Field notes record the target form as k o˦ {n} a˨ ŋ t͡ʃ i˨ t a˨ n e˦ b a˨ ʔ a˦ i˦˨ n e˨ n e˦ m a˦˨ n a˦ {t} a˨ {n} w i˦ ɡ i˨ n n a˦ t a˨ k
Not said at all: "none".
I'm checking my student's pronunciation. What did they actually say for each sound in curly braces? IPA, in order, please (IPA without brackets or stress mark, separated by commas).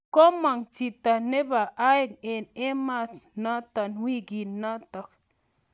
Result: m, t, n